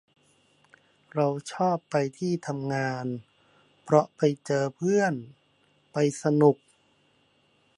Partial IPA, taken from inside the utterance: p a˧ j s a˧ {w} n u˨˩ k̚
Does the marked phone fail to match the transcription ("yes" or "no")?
yes